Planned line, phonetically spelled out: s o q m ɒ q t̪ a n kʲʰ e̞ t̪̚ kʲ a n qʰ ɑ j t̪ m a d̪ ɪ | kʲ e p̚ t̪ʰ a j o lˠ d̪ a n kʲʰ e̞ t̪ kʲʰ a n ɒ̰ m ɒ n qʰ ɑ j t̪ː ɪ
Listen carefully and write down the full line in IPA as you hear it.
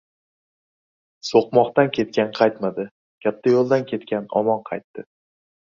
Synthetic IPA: s o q m ɒ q t̪ a n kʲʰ e̞ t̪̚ kʲ a n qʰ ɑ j t̪ m a d̪ ɪ | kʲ a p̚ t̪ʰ a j o lˠ d̪ a n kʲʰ e̞ t̪ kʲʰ a n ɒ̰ m ɒ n qʰ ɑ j t̪ː ɪ